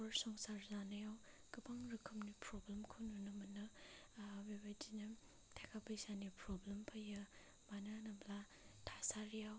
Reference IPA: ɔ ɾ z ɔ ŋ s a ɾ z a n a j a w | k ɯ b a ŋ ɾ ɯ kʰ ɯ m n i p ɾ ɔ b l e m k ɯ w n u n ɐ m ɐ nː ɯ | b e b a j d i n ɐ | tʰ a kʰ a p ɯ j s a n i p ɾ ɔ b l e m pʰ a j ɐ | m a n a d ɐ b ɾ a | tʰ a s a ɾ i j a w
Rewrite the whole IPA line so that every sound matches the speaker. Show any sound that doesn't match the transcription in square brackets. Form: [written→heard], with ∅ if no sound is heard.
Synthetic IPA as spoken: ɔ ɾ [z→s] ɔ ŋ s a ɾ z a n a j a w | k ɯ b a ŋ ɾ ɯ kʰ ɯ m n i p ɾ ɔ b l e m [k→kʰ] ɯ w n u n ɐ m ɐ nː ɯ | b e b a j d i n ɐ | tʰ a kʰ a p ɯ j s a n i p ɾ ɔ b l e m pʰ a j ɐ | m a n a [d→n] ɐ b [ɾ→l] a | tʰ a s a ɾ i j a w